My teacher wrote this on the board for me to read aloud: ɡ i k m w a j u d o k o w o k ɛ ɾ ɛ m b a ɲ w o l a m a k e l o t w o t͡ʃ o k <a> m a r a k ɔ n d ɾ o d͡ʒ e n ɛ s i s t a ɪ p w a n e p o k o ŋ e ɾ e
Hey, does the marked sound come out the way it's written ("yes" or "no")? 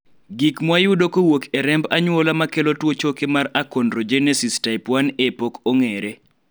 no